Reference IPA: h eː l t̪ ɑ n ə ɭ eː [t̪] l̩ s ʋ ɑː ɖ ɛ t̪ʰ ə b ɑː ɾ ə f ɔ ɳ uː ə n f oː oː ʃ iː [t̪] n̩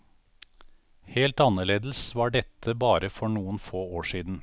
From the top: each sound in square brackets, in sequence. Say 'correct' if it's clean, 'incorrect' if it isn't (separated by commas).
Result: incorrect, incorrect